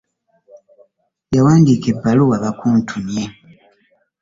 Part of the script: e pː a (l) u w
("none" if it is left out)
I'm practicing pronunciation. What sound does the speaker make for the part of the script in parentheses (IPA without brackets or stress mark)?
l